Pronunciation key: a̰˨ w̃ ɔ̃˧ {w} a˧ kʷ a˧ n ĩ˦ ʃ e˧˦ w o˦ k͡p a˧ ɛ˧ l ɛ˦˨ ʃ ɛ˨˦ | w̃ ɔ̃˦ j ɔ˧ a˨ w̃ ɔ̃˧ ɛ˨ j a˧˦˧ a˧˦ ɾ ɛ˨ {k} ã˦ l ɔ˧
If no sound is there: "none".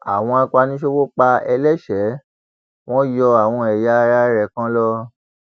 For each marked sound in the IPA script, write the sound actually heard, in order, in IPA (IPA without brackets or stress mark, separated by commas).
none, k